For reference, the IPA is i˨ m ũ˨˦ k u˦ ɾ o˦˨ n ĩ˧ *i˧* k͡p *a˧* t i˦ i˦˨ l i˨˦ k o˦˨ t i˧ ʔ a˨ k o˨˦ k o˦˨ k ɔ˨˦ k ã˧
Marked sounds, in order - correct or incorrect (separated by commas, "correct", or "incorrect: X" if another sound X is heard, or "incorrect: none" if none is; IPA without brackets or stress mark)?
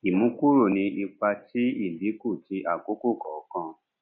correct, correct